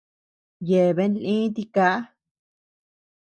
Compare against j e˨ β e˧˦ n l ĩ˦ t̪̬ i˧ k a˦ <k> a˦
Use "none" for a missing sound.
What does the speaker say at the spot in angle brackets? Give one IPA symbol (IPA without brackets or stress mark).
none